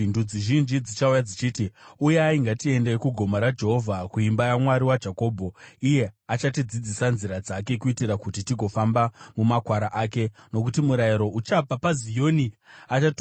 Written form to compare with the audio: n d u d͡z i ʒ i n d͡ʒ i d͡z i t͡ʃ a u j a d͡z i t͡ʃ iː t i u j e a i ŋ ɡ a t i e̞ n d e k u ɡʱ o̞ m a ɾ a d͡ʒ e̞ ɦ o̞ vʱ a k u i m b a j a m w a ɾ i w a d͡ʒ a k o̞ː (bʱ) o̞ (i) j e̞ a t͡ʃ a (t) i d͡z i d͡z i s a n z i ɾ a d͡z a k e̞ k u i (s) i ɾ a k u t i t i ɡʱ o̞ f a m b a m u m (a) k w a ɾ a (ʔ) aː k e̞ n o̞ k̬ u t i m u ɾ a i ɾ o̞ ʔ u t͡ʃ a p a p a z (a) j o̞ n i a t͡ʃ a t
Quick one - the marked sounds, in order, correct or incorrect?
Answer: correct, correct, correct, incorrect: t, correct, correct, incorrect: i

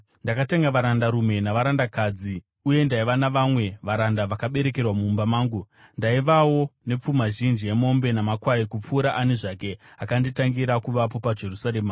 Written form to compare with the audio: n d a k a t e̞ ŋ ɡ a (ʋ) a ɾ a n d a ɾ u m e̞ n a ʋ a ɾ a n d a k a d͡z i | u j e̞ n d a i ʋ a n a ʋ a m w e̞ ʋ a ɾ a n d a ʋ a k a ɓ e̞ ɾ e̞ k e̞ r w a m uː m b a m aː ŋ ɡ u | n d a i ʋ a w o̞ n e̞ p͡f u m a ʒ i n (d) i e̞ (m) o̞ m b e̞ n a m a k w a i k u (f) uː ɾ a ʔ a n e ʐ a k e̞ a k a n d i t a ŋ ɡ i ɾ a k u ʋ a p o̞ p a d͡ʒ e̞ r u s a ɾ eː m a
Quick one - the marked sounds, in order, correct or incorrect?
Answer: correct, incorrect: d͡ʒ, correct, incorrect: p͡f

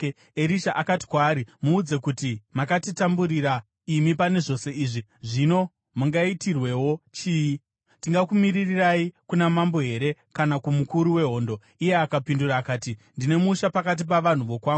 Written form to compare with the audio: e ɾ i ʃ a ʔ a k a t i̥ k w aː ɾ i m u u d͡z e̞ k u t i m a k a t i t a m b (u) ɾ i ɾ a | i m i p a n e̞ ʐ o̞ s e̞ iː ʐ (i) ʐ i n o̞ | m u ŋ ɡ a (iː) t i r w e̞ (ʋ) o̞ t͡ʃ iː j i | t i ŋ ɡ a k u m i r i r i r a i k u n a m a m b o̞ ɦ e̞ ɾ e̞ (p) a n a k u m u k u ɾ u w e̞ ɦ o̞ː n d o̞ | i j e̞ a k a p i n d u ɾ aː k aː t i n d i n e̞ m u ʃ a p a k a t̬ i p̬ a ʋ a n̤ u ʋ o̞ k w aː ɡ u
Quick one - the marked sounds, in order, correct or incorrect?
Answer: correct, correct, incorrect: i, incorrect: w, incorrect: k

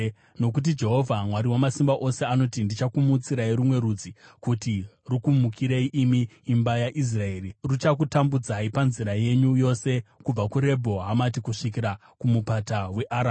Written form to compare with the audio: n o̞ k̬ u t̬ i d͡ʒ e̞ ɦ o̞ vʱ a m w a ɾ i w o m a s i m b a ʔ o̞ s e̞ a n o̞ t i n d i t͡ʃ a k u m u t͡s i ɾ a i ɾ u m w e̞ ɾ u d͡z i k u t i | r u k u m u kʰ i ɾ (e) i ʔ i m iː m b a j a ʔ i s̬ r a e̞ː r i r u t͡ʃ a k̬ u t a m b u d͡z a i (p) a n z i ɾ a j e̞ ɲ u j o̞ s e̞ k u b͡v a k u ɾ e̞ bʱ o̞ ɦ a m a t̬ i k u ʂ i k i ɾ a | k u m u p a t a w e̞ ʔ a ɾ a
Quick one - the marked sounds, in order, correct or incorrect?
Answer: correct, correct

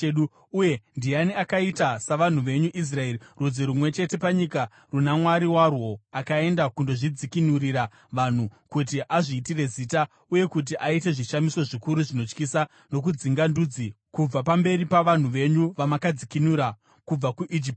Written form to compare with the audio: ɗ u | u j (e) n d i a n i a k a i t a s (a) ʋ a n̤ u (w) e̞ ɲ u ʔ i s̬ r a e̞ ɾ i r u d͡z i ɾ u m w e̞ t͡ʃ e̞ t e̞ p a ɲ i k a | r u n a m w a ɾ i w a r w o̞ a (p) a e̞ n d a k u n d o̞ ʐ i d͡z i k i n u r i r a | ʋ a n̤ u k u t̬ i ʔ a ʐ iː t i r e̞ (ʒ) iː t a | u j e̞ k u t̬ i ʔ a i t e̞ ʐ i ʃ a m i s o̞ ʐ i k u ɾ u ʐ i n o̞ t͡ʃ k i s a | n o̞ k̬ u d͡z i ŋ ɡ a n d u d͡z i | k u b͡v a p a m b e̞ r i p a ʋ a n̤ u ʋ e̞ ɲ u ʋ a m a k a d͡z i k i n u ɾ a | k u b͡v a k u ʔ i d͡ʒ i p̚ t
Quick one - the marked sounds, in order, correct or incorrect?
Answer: correct, correct, incorrect: ʋ, incorrect: k, incorrect: z

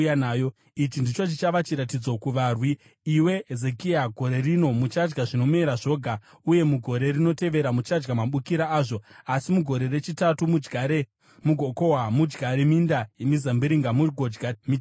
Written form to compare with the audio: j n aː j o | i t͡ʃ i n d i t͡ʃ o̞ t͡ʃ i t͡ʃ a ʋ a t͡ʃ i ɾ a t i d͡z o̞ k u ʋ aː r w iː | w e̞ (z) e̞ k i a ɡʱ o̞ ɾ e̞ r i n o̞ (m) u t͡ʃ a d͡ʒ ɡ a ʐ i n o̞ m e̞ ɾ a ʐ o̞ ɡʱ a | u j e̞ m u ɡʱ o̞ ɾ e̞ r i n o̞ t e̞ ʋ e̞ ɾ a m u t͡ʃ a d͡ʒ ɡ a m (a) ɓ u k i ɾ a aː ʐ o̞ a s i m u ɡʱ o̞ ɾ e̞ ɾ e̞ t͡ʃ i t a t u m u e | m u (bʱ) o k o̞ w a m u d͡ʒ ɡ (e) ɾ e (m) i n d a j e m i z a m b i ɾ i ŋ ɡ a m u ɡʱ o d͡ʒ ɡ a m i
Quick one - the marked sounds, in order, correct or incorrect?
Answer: correct, correct, correct, incorrect: ɡʱ, incorrect: a, correct

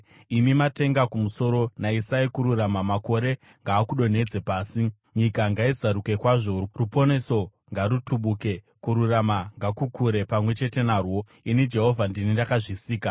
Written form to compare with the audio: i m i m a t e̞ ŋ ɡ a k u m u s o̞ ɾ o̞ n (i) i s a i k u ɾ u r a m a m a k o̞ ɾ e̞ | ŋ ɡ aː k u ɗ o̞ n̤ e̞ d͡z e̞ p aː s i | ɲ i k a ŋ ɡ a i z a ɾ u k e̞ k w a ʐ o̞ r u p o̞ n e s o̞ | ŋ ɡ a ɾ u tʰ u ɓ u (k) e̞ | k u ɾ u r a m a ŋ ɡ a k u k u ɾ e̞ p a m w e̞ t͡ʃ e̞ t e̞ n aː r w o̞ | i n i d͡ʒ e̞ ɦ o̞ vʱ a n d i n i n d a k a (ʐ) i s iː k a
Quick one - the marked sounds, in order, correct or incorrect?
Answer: incorrect: a, correct, correct

